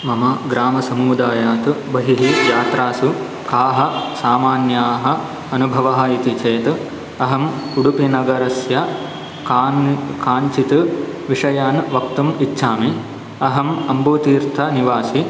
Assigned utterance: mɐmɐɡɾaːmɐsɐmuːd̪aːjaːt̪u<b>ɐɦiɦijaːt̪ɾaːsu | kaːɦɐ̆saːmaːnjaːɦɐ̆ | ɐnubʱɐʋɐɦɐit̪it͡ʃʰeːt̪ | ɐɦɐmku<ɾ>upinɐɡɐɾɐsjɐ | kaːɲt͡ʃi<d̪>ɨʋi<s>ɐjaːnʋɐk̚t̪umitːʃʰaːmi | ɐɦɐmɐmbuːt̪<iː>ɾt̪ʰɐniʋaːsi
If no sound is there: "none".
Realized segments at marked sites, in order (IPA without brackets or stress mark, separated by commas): b, ɽ, t̪, ʂ, iː